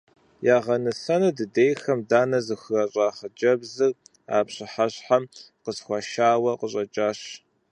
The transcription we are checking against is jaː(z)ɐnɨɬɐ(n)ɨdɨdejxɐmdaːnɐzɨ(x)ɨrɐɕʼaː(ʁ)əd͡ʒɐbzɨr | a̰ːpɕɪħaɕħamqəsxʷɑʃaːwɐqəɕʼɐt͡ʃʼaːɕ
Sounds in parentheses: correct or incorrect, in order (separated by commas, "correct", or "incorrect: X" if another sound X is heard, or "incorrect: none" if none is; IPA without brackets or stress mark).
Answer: incorrect: ʁ, correct, correct, incorrect: χ